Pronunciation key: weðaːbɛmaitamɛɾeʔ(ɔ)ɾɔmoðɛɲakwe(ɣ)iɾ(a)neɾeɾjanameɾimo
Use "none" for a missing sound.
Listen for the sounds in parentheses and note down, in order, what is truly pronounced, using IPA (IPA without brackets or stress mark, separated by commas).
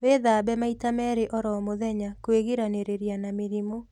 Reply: ɔ, ɣ, a